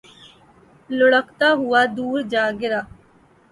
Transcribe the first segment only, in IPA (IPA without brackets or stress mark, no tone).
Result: l